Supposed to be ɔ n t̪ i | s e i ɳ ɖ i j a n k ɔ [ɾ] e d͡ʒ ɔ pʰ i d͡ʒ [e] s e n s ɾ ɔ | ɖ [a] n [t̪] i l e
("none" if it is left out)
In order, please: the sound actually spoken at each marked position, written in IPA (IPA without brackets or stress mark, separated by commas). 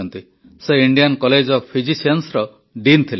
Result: l, i, i, t̪ʰ